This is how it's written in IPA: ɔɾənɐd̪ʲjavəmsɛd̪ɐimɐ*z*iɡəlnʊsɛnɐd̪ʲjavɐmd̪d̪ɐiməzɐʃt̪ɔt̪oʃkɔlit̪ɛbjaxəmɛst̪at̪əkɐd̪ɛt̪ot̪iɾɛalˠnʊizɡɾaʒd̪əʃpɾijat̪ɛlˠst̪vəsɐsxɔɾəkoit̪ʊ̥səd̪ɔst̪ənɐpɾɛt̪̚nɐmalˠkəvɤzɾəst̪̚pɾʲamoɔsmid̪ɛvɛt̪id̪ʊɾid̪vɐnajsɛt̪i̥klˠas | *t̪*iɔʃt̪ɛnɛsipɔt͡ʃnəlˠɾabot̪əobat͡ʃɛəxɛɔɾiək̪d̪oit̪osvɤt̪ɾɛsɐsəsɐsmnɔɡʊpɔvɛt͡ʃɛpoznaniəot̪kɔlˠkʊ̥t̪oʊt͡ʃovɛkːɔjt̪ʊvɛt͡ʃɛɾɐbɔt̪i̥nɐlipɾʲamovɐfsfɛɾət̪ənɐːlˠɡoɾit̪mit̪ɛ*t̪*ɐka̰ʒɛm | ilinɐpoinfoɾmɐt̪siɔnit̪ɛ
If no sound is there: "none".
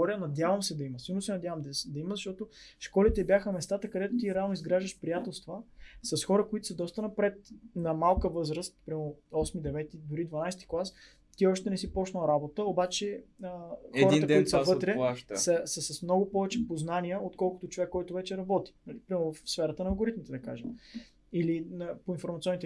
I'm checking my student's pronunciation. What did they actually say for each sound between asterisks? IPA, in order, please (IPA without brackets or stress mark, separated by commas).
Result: s, t̪, d̪